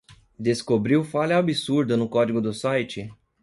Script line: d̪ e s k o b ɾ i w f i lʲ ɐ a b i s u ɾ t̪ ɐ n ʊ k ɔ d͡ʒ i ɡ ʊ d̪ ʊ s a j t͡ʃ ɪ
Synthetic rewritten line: d̪ e s k o b ɾ i w f a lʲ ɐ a b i s u ɾ d̪ ɐ n ʊ k ɔ d͡ʒ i ɡ ʊ d̪ ʊ s a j t͡ʃ ɪ